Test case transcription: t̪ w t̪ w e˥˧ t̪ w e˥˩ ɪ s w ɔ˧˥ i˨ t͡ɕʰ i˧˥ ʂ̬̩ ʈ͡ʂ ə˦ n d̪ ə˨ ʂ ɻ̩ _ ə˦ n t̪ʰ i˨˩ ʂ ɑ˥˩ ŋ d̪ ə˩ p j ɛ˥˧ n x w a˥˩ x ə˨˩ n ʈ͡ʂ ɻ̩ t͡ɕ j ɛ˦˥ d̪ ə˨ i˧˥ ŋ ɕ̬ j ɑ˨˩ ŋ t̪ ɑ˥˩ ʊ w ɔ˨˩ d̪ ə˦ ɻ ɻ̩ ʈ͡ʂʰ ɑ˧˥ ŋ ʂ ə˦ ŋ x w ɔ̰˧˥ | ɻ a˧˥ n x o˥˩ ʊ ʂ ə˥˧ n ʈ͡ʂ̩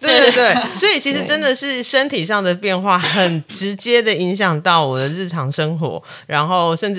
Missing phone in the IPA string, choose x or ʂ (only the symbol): ʂ